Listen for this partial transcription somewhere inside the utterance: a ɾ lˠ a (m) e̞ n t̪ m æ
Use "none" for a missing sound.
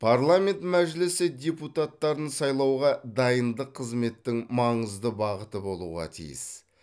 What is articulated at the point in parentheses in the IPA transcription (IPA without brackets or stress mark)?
m